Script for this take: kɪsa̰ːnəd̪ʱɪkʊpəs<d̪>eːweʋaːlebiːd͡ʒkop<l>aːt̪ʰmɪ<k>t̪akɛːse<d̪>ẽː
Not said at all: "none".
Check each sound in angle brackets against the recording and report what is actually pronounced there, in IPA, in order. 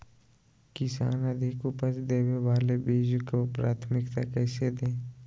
d̪, ɾ, k, d̪

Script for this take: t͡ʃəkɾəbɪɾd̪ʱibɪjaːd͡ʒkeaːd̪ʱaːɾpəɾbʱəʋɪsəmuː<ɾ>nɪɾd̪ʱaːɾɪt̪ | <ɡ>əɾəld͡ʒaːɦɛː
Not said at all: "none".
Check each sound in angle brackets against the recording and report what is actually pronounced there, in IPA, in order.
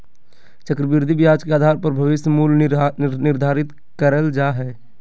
l, k

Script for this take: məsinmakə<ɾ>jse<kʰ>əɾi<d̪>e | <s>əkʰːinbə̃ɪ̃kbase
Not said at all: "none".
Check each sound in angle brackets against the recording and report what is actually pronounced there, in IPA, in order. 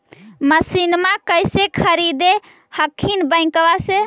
none, kʰ, d̪, h

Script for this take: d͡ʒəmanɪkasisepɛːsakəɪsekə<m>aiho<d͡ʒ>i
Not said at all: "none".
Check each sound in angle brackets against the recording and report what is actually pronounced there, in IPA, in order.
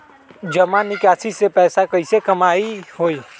m, none

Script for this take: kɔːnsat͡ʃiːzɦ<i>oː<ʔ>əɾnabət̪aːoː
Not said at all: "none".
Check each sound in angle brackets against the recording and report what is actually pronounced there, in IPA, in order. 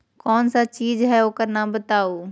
ɛ, k

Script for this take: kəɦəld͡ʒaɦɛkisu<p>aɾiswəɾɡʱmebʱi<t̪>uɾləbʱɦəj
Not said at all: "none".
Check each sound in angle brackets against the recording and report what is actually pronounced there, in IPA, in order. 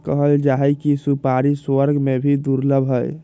p, d̪

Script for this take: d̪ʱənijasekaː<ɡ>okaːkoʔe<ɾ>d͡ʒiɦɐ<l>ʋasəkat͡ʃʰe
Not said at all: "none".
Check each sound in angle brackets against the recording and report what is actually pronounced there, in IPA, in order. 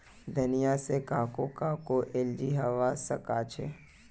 k, l, none

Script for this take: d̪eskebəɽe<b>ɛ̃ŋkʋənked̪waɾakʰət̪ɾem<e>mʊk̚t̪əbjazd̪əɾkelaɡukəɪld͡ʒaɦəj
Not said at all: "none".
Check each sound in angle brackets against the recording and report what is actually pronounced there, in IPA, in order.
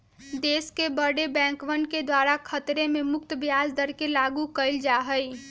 b, e

